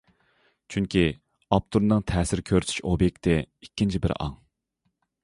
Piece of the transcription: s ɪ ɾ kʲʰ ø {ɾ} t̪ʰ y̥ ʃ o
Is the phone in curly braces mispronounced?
no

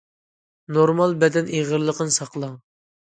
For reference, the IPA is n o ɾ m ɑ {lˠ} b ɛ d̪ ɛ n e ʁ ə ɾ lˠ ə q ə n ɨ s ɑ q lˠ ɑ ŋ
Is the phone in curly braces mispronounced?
no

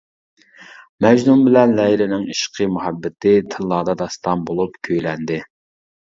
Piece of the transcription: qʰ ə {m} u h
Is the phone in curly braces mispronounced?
no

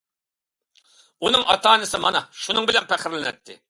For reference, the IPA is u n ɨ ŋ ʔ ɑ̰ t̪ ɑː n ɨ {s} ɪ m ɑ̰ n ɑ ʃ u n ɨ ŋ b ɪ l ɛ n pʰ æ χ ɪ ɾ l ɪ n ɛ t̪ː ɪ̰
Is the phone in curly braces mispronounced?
no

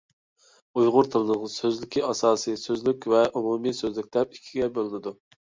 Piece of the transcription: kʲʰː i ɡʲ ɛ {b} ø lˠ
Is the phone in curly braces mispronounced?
no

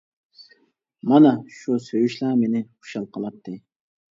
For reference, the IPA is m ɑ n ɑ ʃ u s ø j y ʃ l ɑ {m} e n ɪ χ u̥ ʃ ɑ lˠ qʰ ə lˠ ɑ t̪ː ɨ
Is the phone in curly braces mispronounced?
no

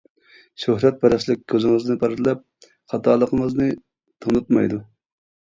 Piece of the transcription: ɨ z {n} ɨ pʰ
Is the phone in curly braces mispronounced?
no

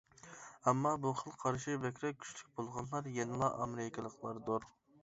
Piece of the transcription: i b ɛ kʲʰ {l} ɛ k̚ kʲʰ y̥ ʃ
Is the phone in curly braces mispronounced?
yes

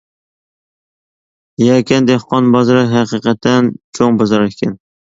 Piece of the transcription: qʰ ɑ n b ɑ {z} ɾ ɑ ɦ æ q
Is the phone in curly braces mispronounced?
no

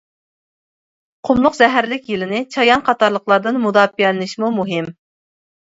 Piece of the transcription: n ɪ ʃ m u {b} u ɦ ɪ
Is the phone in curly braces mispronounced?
yes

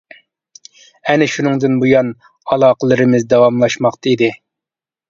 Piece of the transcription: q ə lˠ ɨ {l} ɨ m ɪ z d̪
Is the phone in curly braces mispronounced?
yes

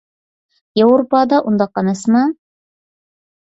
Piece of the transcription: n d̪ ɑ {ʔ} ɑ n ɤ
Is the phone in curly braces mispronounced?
yes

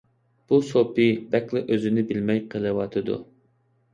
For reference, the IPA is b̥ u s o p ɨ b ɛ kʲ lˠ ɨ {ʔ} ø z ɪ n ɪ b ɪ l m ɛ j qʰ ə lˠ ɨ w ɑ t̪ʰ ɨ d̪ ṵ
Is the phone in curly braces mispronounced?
no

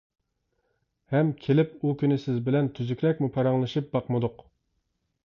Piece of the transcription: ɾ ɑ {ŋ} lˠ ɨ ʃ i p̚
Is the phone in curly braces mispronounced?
no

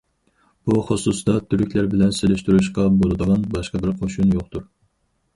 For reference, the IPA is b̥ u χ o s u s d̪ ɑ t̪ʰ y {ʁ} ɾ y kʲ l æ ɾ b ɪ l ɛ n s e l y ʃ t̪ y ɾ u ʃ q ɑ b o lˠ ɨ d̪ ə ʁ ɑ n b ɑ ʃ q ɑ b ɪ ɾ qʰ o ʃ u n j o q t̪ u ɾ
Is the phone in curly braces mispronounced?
yes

